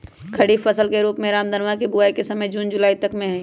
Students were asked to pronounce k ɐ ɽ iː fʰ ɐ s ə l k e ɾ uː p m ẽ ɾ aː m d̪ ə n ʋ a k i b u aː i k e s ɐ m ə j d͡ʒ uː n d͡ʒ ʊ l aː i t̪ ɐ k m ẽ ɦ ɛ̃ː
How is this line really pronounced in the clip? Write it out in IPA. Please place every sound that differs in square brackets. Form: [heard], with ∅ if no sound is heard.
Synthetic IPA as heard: [kʰ] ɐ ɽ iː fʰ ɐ s ə l k e ɾ uː p m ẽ ɾ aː m d̪ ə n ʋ a k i b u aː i k e s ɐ m ə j d͡ʒ uː n d͡ʒ ʊ l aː i t̪ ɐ k m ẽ ɦ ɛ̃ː